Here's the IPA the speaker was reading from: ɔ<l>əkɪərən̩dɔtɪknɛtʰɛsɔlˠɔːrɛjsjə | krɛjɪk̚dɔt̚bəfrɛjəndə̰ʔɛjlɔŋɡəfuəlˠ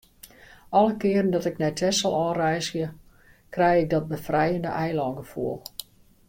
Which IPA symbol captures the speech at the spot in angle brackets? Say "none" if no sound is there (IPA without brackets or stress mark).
l